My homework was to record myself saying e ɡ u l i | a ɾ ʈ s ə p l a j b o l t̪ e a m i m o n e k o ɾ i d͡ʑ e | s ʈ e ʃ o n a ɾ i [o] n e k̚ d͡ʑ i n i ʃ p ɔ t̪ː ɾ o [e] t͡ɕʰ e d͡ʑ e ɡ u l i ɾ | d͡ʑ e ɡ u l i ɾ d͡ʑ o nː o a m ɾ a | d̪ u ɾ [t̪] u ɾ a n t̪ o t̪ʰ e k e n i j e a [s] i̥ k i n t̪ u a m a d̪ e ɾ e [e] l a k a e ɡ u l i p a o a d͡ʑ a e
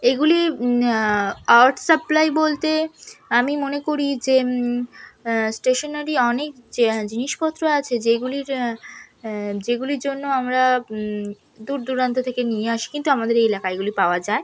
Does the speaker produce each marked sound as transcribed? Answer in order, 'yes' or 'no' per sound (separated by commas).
no, no, no, no, yes